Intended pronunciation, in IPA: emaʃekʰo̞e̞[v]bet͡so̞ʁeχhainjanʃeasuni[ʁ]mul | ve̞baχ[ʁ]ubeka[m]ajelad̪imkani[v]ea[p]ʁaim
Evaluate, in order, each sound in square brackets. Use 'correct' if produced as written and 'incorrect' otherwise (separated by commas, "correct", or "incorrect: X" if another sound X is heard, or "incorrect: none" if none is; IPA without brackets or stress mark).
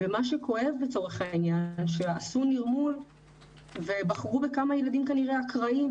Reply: correct, correct, correct, correct, incorrect: ʁ, incorrect: k